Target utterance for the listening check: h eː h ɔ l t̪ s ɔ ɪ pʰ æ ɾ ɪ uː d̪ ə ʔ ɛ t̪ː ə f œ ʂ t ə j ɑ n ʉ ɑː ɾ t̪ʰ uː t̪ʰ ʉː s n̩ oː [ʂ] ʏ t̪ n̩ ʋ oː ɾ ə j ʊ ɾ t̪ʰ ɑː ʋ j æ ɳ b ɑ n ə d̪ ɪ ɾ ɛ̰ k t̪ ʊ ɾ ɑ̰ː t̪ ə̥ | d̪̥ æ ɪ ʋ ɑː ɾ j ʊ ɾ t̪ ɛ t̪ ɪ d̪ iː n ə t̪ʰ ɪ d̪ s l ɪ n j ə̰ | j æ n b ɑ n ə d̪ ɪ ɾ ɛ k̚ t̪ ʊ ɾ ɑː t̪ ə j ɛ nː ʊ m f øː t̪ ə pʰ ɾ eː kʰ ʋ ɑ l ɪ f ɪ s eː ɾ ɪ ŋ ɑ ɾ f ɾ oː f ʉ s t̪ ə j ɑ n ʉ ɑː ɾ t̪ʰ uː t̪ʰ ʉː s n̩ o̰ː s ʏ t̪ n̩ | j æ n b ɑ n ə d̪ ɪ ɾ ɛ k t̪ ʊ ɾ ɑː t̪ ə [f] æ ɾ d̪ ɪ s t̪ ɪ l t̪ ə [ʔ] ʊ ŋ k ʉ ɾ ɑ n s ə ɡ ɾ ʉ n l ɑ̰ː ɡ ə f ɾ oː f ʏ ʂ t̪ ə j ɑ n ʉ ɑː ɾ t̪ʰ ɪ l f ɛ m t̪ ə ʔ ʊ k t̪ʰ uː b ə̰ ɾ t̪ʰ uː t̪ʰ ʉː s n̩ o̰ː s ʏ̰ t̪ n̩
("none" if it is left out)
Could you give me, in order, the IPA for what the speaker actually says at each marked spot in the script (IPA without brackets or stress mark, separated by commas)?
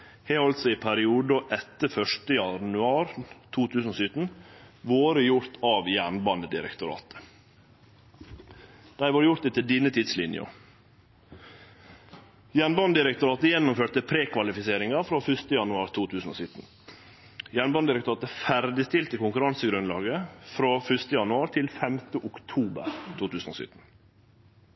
s, f, k